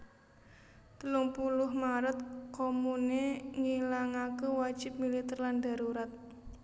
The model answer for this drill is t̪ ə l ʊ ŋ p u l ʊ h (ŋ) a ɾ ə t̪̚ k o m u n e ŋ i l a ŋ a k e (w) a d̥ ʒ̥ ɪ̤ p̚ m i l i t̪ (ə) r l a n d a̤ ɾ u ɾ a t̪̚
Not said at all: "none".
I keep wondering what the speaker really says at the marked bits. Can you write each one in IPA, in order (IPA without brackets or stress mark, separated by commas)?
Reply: m, w, ə